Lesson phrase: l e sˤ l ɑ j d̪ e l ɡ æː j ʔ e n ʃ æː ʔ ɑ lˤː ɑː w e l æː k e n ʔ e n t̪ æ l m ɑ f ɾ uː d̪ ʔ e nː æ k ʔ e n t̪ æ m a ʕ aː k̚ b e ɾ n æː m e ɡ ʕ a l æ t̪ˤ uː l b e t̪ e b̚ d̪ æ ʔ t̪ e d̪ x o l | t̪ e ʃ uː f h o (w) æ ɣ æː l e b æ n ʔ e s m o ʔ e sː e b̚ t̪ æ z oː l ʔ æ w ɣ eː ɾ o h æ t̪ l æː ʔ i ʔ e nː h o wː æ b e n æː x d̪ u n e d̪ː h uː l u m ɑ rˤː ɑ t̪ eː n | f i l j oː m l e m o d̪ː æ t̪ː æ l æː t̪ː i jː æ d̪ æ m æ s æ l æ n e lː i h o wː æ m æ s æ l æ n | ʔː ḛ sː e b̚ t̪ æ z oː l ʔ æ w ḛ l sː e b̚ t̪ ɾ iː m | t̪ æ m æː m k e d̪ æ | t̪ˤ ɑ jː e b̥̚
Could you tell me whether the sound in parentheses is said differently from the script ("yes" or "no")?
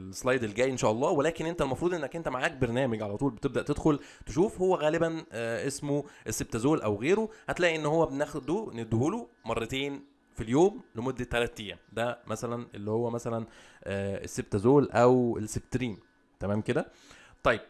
yes